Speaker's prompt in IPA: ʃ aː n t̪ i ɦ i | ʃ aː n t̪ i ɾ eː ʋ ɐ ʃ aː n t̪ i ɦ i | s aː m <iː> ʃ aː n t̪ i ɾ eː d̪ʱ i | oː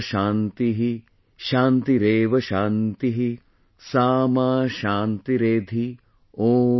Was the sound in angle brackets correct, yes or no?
no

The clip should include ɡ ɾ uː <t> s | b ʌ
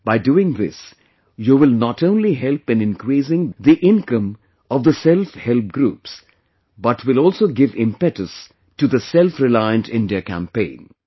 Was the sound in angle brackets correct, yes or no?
no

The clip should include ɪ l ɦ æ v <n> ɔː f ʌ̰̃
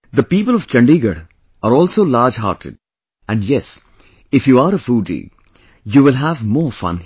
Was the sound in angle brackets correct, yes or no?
no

